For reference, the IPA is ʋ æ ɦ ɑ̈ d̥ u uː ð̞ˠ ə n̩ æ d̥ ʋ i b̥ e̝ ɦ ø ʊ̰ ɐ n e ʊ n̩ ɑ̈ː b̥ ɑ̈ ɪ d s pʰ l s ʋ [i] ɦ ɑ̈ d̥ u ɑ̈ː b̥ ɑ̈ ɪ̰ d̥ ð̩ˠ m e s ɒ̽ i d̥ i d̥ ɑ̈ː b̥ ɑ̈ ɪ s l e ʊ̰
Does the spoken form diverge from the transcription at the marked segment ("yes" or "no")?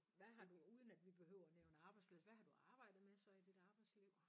yes